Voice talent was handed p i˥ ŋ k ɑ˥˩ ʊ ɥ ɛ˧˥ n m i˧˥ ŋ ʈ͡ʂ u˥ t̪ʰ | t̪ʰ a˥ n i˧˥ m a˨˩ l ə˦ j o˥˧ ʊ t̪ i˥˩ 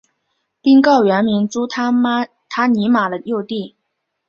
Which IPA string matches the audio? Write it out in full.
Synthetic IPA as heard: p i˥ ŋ k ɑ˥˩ ʊ ɥ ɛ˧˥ n m i˧˥ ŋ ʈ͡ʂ u˥ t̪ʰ | t̪ʰ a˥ n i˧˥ m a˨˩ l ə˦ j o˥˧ ʊ t̪ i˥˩